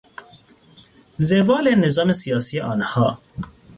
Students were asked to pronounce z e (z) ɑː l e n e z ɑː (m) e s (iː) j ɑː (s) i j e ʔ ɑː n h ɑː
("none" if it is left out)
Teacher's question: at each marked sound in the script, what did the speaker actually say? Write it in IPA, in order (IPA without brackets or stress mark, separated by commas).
v, m, i, s